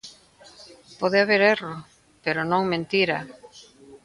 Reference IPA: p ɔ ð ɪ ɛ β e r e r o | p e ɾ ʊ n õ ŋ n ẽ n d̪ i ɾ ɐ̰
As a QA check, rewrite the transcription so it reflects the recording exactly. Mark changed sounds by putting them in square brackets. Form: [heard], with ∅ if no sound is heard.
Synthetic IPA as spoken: p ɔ ð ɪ [a] β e [ɾ] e r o | p e ɾ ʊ n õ ŋ [m] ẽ n [t̪] i ɾ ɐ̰

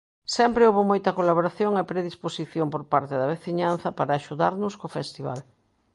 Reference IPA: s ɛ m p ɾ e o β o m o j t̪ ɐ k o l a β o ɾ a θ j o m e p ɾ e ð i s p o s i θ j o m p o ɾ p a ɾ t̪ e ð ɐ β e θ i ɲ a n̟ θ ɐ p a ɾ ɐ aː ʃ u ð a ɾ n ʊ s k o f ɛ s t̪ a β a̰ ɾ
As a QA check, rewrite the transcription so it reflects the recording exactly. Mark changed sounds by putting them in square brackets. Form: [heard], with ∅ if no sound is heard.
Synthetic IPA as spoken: s ɛ m p ɾ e o β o m o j t̪ ɐ k o l a β o ɾ a θ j o [ŋ] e p ɾ e ð i s p o s i θ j o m p o ɾ p a ɾ t̪ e ð ɐ β e θ i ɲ a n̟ θ ɐ p a ɾ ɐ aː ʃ u ð a ɾ n ʊ s k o f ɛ s t̪ [i] β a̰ [l]

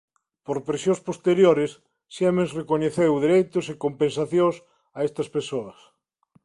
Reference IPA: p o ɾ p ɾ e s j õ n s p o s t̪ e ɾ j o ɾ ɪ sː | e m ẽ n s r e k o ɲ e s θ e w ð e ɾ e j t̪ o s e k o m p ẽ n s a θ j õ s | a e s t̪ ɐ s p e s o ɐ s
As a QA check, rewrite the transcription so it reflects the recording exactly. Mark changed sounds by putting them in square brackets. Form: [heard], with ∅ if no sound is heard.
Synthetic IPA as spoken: p o ɾ p ɾ e s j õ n s p o s t̪ e ɾ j o ɾ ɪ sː | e m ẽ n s r e k o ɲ e [∅] θ e w ð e ɾ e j t̪ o s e k o m p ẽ n s a θ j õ s | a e s t̪ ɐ s p e s o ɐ s

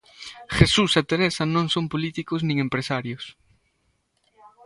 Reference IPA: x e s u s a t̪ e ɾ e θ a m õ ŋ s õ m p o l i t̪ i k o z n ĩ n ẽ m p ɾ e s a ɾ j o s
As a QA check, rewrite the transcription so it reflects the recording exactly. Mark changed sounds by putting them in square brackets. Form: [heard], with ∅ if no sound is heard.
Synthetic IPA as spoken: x e s u s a t̪ e ɾ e [s] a [n] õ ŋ s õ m p o l i t̪ i k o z n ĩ [ŋ] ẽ m p ɾ e s a ɾ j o s

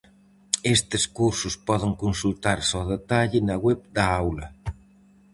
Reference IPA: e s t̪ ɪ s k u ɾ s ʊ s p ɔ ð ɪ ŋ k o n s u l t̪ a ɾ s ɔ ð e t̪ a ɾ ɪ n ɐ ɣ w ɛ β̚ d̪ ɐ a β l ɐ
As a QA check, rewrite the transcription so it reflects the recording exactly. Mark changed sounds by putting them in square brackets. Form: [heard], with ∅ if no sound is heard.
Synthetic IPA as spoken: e s t̪ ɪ s k u ɾ s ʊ s p ɔ ð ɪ ŋ k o n s u l t̪ a ɾ s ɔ ð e t̪ a [ʎ] ɪ n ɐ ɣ w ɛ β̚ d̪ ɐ a [w] l ɐ

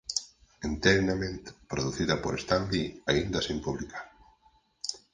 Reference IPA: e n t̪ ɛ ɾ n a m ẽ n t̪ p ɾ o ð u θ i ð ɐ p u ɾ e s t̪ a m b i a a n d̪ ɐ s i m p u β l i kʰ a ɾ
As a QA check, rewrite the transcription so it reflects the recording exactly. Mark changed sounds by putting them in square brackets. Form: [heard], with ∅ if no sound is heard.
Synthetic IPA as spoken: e n t̪ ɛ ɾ n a m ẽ n t̪ p ɾ o ð u θ i ð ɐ p [o] ɾ e s t̪ a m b i a [i] n d̪ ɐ s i m p u β l i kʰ a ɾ

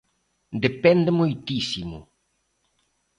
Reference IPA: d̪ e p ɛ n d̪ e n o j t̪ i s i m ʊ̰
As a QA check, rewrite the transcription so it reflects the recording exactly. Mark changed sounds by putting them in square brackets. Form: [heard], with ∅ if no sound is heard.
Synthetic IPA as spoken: d̪ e p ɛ n d̪ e [m] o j t̪ i s i m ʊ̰

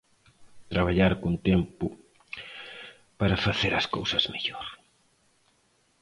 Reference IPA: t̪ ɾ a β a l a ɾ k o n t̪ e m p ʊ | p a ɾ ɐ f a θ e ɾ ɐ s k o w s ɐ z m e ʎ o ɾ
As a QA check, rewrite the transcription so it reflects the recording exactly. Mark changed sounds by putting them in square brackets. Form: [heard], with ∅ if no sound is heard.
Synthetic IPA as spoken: t̪ ɾ a β a [ʎ] a ɾ k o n t̪ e m p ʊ | p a ɾ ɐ f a θ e ɾ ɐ s k o w s ɐ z m e ʎ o ɾ

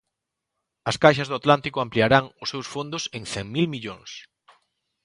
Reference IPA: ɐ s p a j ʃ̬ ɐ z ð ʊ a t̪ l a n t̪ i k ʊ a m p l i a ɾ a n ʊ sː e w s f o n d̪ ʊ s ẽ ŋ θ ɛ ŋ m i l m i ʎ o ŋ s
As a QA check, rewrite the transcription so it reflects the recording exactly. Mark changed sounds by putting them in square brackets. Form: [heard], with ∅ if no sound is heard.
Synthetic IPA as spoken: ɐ s [k] a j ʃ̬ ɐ z ð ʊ a t̪ l a n t̪ i k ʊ a m p l i a ɾ a [ŋ] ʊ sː e w s f o n d̪ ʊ s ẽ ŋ θ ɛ ŋ m i l m i ʎ o ŋ s

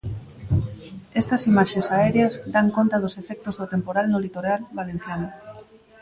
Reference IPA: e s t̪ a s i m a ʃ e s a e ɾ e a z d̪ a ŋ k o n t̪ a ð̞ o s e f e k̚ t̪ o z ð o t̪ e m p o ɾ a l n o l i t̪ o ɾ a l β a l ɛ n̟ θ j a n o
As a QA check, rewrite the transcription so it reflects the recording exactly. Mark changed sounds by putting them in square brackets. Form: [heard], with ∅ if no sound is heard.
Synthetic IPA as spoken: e s t̪ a s i m a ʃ e s a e ɾ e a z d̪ a ŋ k o n t̪ a ð̞ o s e f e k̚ t̪ o z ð o t̪ e m p o ɾ a l n o l i t̪ o ɾ a l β a l [e] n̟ θ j a n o

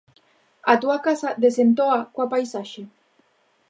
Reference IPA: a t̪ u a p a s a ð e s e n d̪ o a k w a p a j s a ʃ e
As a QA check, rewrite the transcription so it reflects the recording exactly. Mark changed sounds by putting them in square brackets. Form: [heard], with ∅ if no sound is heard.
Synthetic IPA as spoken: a t̪ u a [k] a s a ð e s e n [t̪] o a k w a p a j s a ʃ e

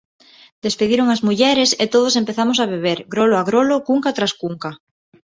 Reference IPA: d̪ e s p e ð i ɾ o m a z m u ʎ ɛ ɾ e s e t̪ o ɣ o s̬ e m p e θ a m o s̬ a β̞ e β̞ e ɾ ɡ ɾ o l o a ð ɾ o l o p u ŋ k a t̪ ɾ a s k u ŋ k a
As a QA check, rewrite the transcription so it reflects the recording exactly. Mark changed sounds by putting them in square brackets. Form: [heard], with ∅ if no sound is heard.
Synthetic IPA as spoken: d̪ e s p e ð i ɾ o [ŋ] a z m u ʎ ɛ ɾ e s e t̪ o [ð] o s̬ e m p e θ a m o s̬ a β̞ e β̞ e ɾ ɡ ɾ o l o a [ɣ] ɾ o l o [k] u ŋ k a t̪ ɾ a s k u ŋ k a

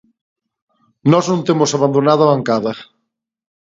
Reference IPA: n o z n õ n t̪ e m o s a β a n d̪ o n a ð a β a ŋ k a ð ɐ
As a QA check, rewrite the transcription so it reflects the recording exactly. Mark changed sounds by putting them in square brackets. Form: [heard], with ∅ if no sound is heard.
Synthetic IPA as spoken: n [ɔ] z n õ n t̪ e m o s a β a n d̪ o n a ð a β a ŋ k a ð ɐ

